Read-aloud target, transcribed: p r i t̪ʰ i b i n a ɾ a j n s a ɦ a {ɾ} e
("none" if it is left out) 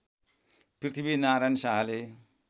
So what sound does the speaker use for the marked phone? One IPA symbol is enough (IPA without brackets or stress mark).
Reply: l